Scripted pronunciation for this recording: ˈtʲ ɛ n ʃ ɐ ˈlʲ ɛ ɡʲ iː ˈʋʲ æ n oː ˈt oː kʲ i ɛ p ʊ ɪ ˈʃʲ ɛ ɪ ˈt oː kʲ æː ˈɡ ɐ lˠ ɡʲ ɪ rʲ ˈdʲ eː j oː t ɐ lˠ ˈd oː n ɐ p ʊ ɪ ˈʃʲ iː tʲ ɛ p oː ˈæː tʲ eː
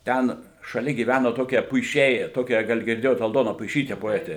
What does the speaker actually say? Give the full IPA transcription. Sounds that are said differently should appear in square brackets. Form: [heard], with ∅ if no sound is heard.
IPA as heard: ˈtʲ ɛ n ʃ ɐ ˈlʲ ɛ ɡʲ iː ˈʋʲ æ n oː ˈt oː kʲ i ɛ p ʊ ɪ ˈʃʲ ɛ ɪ ˈt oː kʲ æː ˈɡ ɐ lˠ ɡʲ ɪ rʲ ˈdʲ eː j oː t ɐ lˠ ˈd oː n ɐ p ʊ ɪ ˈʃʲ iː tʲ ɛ p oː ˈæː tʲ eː